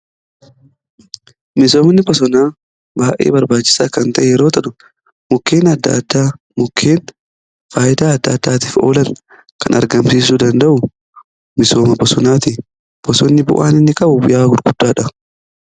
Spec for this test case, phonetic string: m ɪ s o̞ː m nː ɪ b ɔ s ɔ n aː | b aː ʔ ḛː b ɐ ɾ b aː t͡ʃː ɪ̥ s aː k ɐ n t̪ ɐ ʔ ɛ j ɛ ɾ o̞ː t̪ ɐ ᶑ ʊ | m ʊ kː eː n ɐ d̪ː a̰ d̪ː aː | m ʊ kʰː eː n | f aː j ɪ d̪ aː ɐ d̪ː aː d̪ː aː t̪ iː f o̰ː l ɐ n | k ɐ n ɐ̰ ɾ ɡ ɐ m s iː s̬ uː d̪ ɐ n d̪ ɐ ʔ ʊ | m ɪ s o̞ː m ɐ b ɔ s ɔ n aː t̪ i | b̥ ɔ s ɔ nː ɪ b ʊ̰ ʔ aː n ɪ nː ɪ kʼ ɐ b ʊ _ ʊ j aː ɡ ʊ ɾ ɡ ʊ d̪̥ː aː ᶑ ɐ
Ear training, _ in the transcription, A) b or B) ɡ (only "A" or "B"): A